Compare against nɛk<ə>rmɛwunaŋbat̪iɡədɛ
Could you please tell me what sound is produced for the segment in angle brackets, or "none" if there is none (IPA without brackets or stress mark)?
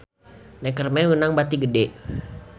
ə